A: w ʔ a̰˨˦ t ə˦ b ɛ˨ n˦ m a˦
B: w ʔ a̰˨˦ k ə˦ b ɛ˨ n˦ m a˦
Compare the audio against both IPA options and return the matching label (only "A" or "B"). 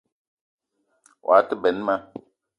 A